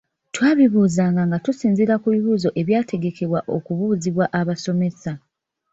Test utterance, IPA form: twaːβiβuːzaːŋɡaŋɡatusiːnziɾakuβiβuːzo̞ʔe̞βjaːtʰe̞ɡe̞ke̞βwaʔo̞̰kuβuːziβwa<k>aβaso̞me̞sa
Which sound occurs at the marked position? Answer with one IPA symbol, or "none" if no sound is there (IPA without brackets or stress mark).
ʔ